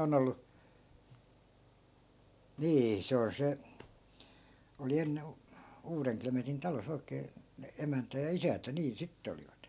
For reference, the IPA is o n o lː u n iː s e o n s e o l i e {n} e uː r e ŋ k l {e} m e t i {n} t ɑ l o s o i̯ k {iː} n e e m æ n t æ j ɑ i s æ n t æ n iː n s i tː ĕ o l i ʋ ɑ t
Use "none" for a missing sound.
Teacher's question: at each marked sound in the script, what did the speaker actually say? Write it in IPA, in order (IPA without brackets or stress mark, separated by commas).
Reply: nː, e, n, eː